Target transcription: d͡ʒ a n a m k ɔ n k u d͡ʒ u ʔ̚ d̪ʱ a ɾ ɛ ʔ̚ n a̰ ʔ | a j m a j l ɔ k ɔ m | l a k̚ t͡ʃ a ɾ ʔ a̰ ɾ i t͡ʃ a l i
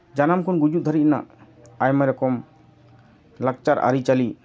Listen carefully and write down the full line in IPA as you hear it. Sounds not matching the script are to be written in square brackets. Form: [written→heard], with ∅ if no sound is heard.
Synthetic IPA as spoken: d͡ʒ a n a m k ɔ n [k→ɡ] u d͡ʒ u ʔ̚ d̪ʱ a ɾ [ɛ→i] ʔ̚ n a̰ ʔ | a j m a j [l→ɾ] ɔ k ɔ m | l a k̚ t͡ʃ a ɾ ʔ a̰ ɾ i t͡ʃ a l i